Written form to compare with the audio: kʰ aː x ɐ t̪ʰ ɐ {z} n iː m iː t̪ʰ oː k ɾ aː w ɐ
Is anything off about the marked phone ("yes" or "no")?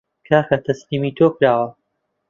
yes